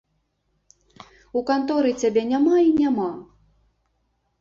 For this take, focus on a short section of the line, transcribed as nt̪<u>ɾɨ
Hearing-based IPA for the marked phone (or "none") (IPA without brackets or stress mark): ɔ